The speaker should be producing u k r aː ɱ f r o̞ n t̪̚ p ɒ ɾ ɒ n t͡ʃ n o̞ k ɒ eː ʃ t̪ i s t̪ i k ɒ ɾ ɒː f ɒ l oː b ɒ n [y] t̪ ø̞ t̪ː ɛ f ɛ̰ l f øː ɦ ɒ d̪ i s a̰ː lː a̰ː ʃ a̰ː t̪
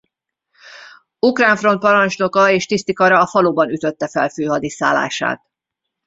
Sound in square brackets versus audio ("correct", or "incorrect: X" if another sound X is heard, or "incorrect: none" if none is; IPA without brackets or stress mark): correct